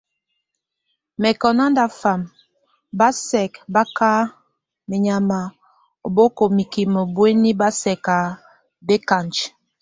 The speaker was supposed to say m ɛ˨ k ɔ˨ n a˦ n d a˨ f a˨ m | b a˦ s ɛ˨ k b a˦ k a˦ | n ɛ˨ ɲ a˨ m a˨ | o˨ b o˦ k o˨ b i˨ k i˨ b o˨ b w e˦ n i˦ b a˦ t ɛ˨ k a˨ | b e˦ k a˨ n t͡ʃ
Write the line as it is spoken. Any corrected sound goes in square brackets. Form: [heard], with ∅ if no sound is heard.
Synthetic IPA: m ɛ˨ k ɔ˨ n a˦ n d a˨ f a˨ m | b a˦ s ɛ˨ k b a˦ k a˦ | [m] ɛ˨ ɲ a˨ m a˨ | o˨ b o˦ k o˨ [m] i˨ k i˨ [m] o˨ b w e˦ n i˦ b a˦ [s] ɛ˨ k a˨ | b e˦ k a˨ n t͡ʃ